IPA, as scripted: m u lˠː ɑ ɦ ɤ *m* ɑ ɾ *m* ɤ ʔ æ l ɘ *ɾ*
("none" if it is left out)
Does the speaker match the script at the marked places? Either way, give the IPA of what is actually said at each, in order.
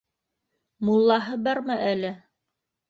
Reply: b, m, none

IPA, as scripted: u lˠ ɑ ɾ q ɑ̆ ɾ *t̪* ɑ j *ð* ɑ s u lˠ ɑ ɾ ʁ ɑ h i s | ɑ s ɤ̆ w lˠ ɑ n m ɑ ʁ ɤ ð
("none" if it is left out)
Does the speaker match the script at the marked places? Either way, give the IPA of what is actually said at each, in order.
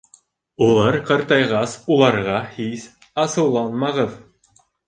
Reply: t̪, ʁ

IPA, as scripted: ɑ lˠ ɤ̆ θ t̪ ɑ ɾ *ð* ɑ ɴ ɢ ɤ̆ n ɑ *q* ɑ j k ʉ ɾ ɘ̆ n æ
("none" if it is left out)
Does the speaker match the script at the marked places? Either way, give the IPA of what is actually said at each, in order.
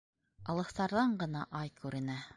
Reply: ð, ʔ

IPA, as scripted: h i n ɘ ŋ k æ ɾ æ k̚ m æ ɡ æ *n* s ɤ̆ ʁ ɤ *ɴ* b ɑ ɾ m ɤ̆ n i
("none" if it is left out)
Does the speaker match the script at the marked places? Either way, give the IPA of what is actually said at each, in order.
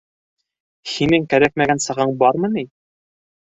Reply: n, ɴ

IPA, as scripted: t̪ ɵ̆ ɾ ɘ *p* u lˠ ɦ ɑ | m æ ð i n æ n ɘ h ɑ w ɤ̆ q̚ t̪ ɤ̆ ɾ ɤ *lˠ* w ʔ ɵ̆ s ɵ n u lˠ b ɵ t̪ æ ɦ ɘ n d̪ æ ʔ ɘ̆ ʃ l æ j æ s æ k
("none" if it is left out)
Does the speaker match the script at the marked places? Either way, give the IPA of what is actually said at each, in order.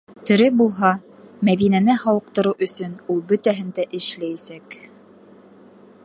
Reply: b, none

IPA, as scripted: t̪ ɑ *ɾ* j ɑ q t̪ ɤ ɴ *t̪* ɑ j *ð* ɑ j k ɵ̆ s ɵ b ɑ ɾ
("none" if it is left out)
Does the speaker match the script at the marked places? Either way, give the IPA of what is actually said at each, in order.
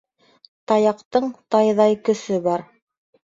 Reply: none, t̪, ð

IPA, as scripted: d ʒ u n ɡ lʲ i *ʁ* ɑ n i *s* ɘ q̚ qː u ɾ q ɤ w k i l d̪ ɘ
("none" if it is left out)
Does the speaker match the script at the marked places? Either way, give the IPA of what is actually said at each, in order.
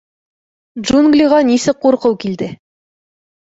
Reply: ʁ, s

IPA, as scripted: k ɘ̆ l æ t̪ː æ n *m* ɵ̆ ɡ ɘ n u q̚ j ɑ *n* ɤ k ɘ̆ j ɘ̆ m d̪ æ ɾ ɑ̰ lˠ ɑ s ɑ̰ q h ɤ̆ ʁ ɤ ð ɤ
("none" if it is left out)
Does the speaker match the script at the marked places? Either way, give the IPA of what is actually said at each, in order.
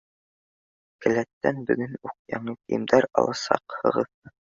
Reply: b, ɴ

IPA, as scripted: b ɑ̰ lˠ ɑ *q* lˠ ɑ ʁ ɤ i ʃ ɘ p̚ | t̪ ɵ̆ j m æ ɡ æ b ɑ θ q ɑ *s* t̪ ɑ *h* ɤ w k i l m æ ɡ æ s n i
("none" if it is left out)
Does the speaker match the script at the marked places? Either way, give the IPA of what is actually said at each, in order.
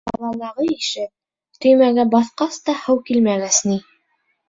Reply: none, s, h

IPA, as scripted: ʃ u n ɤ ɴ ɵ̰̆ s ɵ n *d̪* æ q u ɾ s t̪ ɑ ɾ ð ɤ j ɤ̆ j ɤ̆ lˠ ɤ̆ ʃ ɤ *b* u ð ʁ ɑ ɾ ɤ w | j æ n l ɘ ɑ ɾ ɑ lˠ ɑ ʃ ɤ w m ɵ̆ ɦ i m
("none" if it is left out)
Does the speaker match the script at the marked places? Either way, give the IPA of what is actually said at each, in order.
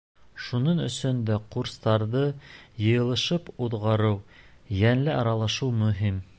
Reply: d̪, p

